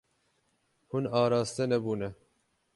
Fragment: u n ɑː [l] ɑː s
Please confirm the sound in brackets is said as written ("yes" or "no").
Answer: no